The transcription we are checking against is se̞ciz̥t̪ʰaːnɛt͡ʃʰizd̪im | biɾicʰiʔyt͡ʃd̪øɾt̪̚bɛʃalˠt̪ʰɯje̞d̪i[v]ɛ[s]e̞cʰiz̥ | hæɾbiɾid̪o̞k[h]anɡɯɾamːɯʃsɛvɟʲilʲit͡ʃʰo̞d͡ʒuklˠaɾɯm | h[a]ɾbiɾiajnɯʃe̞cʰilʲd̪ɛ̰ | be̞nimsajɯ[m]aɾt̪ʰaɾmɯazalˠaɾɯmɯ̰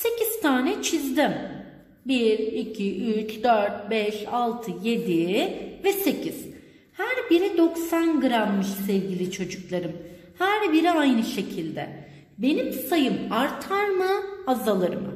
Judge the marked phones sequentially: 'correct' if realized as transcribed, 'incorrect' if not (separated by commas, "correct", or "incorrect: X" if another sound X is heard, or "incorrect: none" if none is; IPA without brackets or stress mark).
correct, correct, incorrect: s, incorrect: æ, correct